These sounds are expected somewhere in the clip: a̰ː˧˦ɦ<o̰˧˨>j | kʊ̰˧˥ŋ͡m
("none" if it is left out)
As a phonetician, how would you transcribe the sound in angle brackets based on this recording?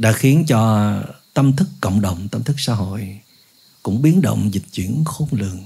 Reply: o̰˧˨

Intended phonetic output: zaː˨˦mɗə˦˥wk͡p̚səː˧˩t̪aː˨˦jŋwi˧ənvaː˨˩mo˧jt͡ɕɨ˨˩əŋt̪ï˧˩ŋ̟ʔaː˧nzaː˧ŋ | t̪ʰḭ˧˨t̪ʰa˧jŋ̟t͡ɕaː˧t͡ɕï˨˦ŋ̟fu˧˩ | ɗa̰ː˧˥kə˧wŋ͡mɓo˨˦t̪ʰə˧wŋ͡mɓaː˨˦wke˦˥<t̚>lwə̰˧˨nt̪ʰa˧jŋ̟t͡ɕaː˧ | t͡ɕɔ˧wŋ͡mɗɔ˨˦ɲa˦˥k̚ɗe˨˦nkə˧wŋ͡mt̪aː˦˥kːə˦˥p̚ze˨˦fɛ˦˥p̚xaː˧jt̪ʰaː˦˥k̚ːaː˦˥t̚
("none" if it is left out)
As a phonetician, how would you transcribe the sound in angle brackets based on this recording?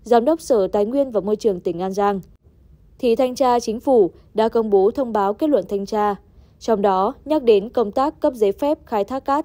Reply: t̚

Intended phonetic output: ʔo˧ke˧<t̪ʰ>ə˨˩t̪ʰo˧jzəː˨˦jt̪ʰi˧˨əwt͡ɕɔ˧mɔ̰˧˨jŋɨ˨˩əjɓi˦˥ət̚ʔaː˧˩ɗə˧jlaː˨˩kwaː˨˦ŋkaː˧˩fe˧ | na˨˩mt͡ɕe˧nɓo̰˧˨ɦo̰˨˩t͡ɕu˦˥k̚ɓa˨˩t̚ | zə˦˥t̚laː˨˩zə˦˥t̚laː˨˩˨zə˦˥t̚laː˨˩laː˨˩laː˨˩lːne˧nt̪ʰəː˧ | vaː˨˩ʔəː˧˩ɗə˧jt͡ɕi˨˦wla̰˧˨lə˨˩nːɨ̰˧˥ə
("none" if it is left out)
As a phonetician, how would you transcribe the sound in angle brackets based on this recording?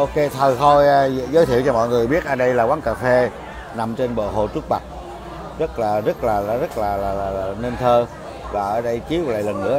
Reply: t̪ʰ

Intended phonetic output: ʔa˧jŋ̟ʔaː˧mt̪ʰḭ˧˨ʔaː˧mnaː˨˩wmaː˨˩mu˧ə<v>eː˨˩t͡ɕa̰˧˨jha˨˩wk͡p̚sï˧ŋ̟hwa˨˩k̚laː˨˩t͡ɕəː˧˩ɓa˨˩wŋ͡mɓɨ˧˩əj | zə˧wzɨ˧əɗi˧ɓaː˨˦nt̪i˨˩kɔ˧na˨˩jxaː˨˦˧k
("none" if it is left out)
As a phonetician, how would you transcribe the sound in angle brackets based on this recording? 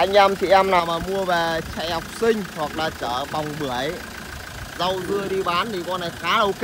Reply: v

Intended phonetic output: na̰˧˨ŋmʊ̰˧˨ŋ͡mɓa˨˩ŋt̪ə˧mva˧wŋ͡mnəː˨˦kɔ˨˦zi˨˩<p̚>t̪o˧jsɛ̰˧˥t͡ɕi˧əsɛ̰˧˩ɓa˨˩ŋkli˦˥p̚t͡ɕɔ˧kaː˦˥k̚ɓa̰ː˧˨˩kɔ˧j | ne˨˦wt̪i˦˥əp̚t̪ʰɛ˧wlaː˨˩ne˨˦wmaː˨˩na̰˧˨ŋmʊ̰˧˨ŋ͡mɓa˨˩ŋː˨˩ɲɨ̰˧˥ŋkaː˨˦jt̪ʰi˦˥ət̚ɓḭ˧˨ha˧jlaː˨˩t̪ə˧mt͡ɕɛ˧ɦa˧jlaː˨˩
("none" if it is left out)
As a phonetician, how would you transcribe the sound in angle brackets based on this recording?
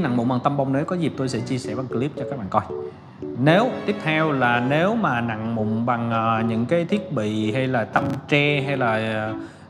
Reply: p̚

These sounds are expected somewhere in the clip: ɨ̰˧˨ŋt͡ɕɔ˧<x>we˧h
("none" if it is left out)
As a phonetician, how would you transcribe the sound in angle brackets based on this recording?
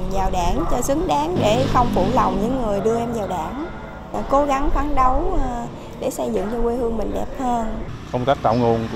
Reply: k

